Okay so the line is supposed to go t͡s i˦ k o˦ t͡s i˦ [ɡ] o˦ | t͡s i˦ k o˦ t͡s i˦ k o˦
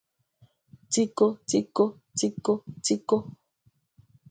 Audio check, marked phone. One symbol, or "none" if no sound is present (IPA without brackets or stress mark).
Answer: k